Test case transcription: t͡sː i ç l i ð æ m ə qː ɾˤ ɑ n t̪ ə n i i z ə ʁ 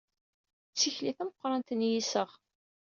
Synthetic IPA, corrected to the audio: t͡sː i ç l i θ æ m ə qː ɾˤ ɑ n t̪ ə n j i s ə ʁ